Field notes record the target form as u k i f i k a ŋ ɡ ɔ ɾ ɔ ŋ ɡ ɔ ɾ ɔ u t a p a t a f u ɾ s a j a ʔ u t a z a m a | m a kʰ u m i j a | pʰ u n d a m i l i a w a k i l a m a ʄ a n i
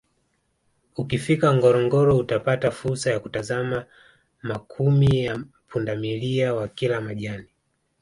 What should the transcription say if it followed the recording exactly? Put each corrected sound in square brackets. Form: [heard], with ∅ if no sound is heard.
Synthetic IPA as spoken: u k i f i k a ŋ ɡ ɔ ɾ ɔ ŋ ɡ ɔ ɾ ɔ u t a p a t a f u ɾ s a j a [k] u t a z a m a | m a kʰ u m i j a | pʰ u n d a m i l i a w a k i l a m a ʄ a n i